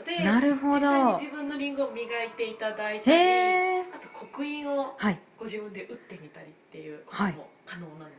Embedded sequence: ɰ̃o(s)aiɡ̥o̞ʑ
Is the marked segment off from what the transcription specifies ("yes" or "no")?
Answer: yes